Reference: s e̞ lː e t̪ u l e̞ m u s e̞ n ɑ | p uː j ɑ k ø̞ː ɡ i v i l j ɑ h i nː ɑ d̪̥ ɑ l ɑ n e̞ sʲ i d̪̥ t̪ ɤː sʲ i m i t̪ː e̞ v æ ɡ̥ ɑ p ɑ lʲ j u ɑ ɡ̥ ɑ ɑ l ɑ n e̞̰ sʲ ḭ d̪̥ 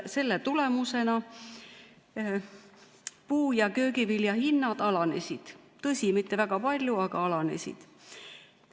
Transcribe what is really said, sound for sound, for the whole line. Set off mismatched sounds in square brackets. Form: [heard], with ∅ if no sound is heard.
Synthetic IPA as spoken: s e̞ lː e t̪ u l e̞ m u s e̞ n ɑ | p uː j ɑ k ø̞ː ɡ i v i l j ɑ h i nː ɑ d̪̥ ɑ l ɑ n e̞ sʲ i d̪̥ t̪ [ɤ] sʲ i m i t̪ː e̞ v æ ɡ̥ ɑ p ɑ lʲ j u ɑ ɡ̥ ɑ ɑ l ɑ n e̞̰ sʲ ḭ d̪̥